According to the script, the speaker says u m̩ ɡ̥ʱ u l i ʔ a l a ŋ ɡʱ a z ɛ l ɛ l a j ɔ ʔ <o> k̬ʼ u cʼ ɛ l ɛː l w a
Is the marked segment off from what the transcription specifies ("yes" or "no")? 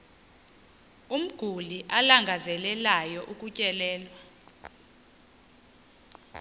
yes